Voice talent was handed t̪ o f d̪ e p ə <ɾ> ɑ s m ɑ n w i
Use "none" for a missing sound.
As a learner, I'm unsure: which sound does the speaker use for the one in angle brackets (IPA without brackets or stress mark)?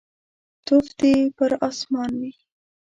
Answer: ɾ